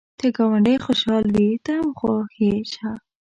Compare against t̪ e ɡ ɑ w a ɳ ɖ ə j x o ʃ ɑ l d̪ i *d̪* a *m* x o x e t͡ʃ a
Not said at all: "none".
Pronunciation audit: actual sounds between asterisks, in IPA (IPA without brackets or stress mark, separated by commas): t̪, m